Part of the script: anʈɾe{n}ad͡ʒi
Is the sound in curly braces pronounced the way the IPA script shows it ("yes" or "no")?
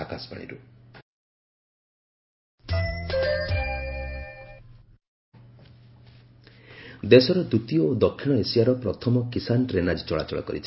yes